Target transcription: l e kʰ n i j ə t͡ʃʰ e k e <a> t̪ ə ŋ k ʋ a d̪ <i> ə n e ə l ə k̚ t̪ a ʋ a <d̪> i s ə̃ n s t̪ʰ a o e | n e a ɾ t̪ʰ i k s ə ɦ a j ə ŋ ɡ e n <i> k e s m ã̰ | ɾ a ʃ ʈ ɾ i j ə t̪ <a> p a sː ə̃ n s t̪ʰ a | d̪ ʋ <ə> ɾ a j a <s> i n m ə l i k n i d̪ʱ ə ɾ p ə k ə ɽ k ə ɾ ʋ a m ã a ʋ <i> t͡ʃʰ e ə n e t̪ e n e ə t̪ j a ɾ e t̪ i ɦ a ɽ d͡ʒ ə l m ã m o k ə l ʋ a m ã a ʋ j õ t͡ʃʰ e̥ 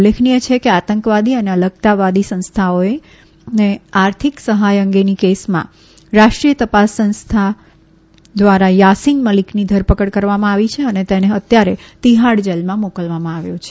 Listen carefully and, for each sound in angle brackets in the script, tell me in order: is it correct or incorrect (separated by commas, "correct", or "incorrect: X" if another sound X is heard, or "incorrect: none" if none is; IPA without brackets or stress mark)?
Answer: correct, correct, correct, correct, incorrect: ə, incorrect: a, correct, correct